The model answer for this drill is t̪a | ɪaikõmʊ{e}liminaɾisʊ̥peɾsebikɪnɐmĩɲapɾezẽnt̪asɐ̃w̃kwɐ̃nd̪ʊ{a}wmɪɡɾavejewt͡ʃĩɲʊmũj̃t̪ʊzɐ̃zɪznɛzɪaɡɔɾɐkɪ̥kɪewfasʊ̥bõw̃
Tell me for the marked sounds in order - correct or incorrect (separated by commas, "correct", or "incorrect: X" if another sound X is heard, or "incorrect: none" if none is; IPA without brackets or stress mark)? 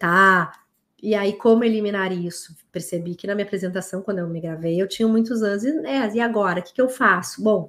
correct, incorrect: e